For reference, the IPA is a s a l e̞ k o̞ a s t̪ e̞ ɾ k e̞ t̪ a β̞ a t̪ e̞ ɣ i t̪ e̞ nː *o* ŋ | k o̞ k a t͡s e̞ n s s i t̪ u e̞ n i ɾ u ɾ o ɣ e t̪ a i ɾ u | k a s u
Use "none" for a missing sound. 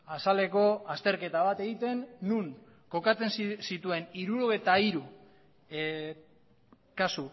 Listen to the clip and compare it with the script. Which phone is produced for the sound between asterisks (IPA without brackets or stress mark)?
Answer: u